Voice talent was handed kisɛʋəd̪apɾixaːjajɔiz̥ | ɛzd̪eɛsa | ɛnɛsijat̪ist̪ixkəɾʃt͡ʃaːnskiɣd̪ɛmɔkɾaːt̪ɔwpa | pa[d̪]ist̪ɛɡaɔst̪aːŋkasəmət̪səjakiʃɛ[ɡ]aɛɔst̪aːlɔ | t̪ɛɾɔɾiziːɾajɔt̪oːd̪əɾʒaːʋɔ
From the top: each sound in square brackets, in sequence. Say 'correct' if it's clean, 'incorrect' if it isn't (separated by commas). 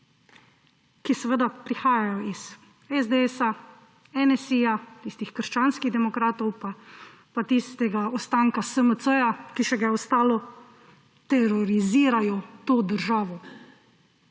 incorrect, correct